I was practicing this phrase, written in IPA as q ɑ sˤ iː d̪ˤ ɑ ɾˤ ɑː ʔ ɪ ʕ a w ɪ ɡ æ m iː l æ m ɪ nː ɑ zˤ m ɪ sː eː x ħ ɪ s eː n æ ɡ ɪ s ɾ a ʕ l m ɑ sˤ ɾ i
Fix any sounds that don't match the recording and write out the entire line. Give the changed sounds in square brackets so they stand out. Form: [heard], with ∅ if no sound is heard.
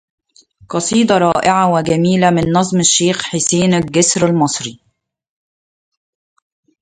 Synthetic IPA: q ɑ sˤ iː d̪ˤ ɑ ɾˤ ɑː ʔ ɪ ʕ a w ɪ ɡ æ m iː l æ m ɪ nː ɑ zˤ m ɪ [ʃː] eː x ħ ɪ s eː n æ ɡ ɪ s ɾ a [∅] l m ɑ sˤ ɾ i

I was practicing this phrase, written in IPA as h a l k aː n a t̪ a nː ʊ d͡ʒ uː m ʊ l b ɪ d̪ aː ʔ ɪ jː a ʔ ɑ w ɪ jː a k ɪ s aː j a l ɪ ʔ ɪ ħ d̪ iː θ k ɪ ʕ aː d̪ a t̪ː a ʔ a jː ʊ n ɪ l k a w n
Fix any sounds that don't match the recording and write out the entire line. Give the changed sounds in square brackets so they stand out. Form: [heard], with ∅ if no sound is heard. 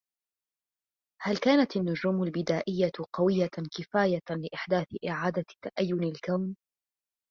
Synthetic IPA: h a l k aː n a t̪ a nː ʊ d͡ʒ uː m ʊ l b ɪ d̪ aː ʔ ɪ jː a [q] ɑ w ɪ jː a k ɪ [f] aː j a l ɪ ʔ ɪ ħ d̪ [aː] θ [ʔ] ɪ ʕ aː d̪ a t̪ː a ʔ a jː ʊ n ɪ l k a w n

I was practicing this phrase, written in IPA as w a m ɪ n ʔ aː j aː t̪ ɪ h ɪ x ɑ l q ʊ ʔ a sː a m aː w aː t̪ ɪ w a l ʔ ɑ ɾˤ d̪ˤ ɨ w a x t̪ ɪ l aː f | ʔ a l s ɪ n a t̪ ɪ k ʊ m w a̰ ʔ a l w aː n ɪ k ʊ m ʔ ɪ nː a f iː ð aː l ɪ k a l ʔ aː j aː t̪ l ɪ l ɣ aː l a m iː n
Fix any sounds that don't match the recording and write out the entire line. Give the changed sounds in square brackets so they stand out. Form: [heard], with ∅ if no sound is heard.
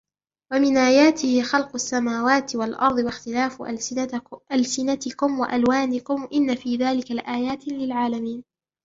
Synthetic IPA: w a m ɪ n ʔ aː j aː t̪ ɪ h ɪ x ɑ l q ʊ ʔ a sː a m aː w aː t̪ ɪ w a l ʔ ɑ ɾˤ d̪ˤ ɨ w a x t̪ ɪ l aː f | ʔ a l s ɪ n a t̪ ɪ k ʊ m w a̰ ʔ a l w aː n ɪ k ʊ m ʔ ɪ nː a f iː ð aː l ɪ k a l ʔ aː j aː t̪ l ɪ l [ʕ] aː l a m iː n

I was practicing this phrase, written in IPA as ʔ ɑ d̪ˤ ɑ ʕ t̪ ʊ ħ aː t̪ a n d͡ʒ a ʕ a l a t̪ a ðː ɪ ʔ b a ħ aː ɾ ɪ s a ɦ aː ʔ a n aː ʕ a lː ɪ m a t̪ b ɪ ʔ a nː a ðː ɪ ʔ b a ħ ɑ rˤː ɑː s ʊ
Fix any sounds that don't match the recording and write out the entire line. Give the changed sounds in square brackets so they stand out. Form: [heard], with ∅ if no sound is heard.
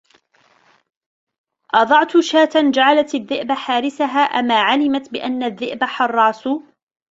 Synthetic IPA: ʔ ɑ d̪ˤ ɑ ʕ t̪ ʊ [ʃ] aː t̪ a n d͡ʒ a ʕ a l a t̪ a ðː ɪ ʔ b a ħ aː ɾ ɪ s a ɦ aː ʔ a [m] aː ʕ a [l] ɪ m a t̪ b ɪ ʔ a nː a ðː ɪ ʔ b a ħ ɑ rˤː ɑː s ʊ

